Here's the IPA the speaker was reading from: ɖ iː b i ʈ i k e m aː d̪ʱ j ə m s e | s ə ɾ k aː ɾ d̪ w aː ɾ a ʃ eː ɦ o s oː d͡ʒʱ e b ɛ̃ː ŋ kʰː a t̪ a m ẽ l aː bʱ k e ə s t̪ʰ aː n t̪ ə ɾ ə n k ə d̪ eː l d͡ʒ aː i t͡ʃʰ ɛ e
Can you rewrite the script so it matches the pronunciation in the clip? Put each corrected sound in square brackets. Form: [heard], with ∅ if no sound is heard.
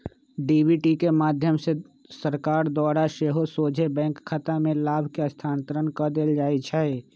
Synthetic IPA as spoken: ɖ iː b i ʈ i k e m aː d̪ʱ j ə m s e | s ə ɾ k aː ɾ d̪ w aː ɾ a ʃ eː ɦ o s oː d͡ʒʱ e b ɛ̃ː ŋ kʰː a t̪ a m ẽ l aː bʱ k e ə s t̪ʰ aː n t̪ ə ɾ ə n k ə d̪ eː l d͡ʒ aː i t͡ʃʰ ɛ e

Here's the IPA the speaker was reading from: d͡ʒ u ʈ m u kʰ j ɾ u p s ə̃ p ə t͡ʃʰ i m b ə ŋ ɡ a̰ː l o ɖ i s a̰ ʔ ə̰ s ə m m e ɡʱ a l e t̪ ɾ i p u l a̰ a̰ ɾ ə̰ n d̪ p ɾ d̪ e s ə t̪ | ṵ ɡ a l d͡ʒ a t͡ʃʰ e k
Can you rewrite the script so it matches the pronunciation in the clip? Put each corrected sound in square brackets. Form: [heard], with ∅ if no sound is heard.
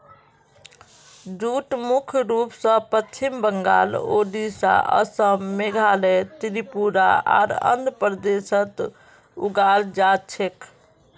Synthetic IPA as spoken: d͡ʒ u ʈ m u kʰ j ɾ u p s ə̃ p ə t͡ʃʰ i m b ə ŋ ɡ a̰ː l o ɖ i s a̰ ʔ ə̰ s ə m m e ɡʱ a l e t̪ ɾ i p u [ɾ] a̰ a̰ ɾ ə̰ n d̪ p ɾ d̪ e s ə t̪ | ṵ ɡ a l d͡ʒ a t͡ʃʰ e k

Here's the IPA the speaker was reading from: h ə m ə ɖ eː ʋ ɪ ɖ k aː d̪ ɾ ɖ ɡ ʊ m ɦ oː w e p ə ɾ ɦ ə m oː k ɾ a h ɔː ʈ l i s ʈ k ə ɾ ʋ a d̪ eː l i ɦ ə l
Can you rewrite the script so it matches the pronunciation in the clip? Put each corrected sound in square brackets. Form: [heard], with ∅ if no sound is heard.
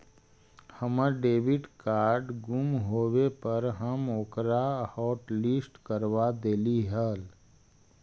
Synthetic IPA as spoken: h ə m ə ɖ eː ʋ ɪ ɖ k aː [∅] ɾ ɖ ɡ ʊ m ɦ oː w e p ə ɾ ɦ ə m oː k ɾ a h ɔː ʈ l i s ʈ k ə ɾ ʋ a d̪ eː l i ɦ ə l

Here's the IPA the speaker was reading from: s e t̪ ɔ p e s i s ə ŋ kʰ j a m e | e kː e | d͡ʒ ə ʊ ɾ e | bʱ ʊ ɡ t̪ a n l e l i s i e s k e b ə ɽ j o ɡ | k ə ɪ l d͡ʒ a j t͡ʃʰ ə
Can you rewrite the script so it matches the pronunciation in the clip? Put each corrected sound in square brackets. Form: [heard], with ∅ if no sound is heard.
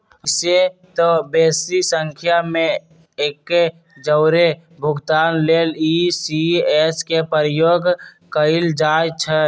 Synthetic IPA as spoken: s e t̪ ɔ [b] e s i s ə ŋ kʰ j a m e | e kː e | d͡ʒ ə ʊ ɾ e | bʱ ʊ ɡ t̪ a n l e l i s i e s k e [p] ə [ɾ] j o ɡ | k ə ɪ l d͡ʒ a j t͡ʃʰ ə

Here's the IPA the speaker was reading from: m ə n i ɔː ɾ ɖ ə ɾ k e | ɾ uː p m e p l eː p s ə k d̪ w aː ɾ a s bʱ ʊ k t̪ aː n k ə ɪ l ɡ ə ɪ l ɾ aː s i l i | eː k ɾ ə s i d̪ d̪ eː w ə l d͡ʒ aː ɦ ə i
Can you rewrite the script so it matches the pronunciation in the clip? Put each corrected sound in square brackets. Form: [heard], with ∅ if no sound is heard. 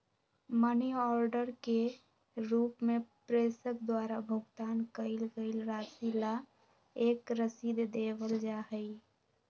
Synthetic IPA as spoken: m ə n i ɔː ɾ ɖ ə ɾ k e | ɾ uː p m e p [ɾ] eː [∅] s ə k d̪ w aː ɾ a [∅] bʱ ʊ [ɡ] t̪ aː n k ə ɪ l ɡ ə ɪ l ɾ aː s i l [a] | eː k ɾ ə s i d̪ d̪ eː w ə l d͡ʒ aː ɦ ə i

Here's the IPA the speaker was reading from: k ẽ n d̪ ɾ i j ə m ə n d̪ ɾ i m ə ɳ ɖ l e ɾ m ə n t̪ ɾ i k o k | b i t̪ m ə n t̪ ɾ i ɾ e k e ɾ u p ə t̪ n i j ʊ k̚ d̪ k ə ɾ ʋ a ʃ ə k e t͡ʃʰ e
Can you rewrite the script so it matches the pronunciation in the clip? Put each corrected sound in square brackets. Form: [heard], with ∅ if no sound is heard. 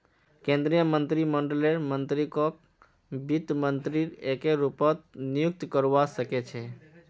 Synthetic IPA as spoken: k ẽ n d̪ ɾ i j ə m ə n [t̪] ɾ i m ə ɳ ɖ l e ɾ m ə n t̪ ɾ i k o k | b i t̪ m ə n t̪ ɾ i ɾ e k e ɾ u p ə t̪ n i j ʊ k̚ [t̪] k ə ɾ ʋ a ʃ ə k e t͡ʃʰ e

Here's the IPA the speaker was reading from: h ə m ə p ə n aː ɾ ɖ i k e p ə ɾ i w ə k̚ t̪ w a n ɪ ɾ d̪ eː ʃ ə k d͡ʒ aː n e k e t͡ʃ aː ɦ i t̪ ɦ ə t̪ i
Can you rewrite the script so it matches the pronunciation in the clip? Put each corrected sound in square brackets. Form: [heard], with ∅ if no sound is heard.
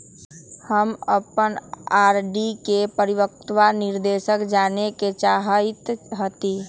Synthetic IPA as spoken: h ə m ə p ə n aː ɾ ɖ i k e p ə ɾ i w ə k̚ t̪ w a n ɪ ɾ d̪ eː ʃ ə k d͡ʒ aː n e k e t͡ʃ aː ɦ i t̪ ɦ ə t̪ i

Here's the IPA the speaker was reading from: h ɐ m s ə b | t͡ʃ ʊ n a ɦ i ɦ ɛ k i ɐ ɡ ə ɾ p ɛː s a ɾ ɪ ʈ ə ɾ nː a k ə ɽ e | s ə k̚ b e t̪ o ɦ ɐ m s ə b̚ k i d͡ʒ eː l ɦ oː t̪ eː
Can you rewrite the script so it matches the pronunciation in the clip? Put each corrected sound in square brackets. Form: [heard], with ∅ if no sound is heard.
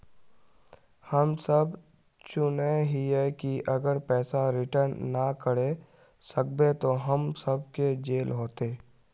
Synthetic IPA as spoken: h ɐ m s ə b | t͡ʃ ʊ n [e] ɦ i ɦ ɛ k i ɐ ɡ ə ɾ p ɛː s a ɾ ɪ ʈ ə ɾ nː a k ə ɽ e | s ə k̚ b e t̪ o ɦ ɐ m s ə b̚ k [e] d͡ʒ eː l ɦ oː t̪ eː

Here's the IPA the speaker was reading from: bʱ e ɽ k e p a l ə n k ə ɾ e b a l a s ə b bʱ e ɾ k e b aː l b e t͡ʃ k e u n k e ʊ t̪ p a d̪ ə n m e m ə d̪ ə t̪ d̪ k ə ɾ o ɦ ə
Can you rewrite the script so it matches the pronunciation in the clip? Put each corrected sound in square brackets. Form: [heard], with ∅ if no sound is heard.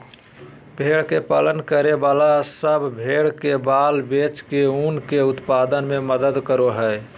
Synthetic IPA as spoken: bʱ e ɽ k e p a l ə n k ə ɾ e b a l a s ə b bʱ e [ɽ] k e b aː l b e t͡ʃ k e u n k e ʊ t̪ p a d̪ ə n m e m ə d̪ ə [∅] d̪ k ə ɾ o ɦ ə

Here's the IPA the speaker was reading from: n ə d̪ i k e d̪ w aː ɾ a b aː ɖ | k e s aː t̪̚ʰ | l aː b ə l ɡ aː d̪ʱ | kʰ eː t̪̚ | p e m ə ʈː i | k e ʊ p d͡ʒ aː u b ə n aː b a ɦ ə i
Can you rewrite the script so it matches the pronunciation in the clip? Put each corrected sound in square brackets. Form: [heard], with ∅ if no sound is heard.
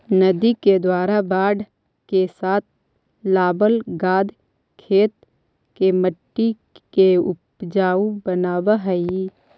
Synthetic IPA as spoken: n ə d̪ i k e d̪ w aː ɾ a b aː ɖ | k e s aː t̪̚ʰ | l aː b ə l ɡ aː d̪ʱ | kʰ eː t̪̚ | [k] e m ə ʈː i | k e ʊ p d͡ʒ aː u b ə n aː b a ɦ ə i

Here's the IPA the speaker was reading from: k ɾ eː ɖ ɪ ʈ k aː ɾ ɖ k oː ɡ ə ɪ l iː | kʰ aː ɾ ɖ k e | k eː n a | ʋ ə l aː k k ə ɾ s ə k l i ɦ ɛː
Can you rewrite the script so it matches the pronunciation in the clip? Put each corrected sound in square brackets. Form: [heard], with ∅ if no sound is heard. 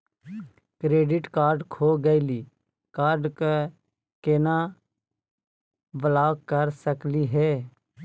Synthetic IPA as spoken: k ɾ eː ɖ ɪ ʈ k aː ɾ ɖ [kʰ] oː ɡ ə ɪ l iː | [k] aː ɾ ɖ k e | k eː n a | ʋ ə l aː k k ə ɾ s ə k l i ɦ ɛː

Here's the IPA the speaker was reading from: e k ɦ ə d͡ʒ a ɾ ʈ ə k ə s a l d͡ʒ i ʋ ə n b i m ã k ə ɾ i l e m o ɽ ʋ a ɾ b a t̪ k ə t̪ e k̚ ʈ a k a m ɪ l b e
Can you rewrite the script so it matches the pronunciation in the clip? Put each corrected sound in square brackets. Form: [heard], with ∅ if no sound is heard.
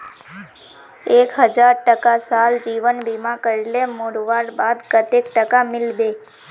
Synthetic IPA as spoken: e k ɦ ə d͡ʒ a ɾ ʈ ə k [a] s a l d͡ʒ i ʋ ə n b i m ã k ə ɾ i l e m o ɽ ʋ a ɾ b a [d̪] k ə t̪ e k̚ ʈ [ə] k a m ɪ l b e

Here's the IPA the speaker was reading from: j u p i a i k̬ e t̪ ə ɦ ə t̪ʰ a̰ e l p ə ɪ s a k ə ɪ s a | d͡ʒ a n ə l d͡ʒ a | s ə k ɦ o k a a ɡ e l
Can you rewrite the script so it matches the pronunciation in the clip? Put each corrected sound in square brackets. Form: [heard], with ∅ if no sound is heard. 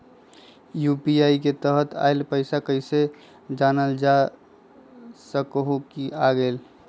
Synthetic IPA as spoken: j u p i a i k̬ e t̪ ə ɦ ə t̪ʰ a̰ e l p ə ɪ s a k ə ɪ s [e] | d͡ʒ a n ə l d͡ʒ a | s ə k ɦ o k [i] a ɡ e l

